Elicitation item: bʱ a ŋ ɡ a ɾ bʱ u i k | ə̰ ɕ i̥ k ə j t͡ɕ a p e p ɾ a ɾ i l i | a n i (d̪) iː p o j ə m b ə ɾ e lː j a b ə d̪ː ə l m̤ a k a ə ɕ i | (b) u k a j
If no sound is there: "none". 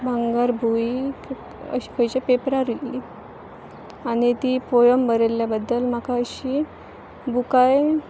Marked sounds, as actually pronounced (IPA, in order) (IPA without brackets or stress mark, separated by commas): t̪, b